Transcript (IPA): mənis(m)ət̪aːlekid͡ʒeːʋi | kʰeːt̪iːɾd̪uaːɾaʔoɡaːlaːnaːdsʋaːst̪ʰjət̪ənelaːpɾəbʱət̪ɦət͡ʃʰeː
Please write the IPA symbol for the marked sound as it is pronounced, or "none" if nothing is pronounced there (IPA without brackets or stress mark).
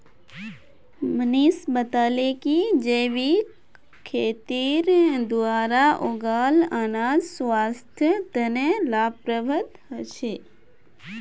b